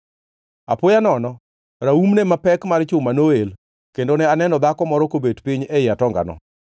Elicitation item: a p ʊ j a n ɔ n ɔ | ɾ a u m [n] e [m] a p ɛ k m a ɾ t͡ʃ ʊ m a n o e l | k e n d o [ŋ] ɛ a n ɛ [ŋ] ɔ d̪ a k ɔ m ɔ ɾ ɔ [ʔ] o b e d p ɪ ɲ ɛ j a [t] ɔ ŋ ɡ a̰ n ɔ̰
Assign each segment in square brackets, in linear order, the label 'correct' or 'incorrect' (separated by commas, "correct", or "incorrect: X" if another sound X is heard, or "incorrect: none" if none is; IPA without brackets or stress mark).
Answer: correct, correct, incorrect: n, incorrect: n, incorrect: k, correct